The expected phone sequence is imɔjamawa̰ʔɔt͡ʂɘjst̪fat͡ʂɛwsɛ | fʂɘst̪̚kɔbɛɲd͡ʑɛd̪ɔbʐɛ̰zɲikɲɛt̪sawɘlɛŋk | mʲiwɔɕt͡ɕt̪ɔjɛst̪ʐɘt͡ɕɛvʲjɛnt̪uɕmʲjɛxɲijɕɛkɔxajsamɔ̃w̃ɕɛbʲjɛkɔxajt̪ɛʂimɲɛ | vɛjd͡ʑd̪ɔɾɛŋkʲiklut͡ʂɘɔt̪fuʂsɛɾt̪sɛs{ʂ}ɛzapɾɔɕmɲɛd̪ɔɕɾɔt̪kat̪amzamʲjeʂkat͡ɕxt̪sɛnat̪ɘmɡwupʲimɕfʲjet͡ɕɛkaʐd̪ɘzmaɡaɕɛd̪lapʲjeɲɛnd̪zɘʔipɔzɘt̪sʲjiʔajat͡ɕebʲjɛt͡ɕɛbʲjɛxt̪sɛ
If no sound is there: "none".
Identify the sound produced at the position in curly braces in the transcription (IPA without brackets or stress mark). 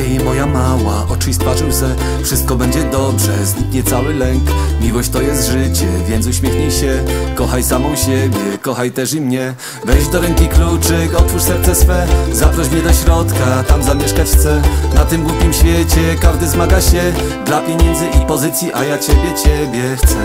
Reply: f